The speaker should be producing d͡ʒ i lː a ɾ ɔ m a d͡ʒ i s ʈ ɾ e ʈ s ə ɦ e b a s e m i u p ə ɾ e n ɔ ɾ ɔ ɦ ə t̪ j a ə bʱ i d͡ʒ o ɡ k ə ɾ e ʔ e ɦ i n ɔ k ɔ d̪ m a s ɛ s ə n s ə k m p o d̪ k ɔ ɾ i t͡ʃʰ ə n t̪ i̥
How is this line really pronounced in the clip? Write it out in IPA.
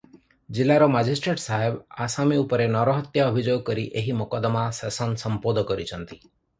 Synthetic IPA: d͡ʒ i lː a ɾ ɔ m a d͡ʒ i s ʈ ɾ e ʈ s a ɦ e b a s a m i u p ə ɾ e n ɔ ɾ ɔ ɦ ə t̪ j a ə bʱ i d͡ʒ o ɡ k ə ɾ i ʔ e ɦ i m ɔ k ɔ d̪ m a s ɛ s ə n s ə m p o d̪ k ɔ ɾ i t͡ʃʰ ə n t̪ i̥